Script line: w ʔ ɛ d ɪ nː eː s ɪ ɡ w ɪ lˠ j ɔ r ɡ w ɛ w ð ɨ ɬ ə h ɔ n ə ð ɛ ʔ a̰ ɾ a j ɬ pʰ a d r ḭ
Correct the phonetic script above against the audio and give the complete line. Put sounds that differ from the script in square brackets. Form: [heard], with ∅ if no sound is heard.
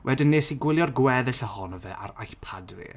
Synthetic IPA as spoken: w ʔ ɛ d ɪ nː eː s [i] ɡ w ɪ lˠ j ɔ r ɡ w ɛ [∅] ð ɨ ɬ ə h ɔ n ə [v] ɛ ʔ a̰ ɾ a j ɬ pʰ a d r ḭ